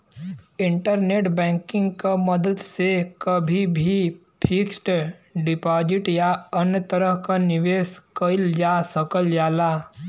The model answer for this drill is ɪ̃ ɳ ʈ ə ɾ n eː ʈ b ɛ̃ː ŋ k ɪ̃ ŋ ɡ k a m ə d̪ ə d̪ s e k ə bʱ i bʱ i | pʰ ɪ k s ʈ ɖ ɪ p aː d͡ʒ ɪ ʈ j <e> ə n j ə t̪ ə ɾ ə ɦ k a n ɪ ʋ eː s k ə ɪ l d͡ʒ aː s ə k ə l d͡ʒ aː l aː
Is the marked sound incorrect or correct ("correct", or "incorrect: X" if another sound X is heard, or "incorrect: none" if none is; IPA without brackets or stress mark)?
incorrect: a